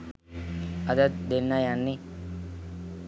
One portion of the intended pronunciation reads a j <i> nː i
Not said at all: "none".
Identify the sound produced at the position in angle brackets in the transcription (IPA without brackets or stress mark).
a